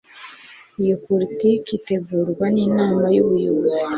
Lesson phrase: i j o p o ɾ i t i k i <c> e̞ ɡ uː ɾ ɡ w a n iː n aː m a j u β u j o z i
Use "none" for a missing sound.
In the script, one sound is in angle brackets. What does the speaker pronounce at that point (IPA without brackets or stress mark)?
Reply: t